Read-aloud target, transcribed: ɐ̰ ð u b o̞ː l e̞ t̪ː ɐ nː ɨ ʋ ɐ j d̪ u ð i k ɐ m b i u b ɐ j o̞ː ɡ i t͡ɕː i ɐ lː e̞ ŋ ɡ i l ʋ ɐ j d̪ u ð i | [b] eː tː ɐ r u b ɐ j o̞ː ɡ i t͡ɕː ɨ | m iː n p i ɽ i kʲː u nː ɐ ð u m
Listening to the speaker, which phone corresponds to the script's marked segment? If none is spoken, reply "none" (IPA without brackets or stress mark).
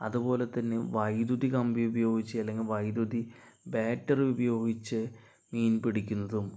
b